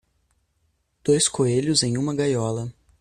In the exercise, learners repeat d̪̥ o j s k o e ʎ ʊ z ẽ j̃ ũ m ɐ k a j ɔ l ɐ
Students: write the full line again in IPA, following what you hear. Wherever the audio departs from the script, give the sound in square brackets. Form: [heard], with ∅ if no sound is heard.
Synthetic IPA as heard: d̪̥ o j s k o e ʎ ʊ z ẽ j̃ ũ m ɐ [ɡ] a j ɔ l ɐ